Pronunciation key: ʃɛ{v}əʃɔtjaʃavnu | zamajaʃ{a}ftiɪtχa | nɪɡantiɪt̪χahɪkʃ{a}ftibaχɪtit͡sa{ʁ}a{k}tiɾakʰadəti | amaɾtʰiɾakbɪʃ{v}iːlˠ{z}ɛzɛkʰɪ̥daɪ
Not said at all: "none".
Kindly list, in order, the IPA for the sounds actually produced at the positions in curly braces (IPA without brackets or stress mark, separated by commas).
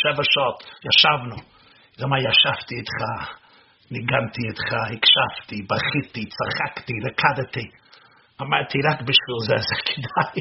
v, a, a, χ, k, v, z